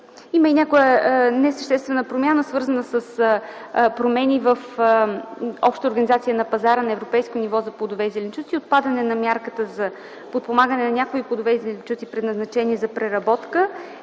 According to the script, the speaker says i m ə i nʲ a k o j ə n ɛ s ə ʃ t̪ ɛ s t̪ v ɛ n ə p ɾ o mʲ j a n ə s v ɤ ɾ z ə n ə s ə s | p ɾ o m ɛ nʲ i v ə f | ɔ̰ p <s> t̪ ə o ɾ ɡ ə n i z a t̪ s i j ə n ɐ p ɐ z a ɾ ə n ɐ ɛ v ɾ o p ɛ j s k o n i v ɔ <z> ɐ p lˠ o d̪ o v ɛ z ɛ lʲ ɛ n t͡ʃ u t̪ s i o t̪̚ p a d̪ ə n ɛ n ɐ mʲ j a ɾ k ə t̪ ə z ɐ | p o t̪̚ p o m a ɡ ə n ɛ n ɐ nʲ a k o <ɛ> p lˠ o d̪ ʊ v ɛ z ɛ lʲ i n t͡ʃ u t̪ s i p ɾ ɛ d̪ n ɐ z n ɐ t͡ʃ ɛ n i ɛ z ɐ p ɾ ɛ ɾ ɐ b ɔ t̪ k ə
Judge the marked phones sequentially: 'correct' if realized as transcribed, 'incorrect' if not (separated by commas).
incorrect, correct, incorrect